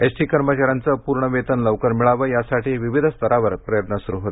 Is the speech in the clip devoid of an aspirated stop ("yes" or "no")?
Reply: yes